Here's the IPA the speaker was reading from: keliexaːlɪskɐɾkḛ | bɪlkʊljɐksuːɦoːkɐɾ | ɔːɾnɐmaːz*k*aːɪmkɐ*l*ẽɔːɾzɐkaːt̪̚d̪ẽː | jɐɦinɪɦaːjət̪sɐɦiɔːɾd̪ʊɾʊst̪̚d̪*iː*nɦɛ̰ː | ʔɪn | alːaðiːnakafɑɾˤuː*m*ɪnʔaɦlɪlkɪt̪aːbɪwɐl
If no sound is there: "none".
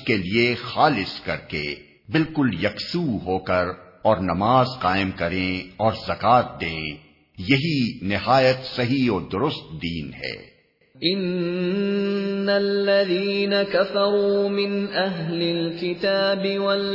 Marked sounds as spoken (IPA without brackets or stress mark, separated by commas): q, ɾ, iː, m